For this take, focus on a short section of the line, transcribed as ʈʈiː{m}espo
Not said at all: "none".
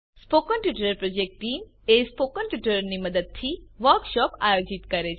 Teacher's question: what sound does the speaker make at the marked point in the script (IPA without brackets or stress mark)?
m